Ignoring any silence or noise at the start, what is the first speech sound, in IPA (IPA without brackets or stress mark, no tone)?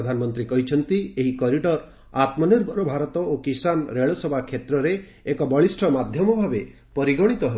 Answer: d̪ʱ